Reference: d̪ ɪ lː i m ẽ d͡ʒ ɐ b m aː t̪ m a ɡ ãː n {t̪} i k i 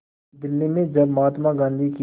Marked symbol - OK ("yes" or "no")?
no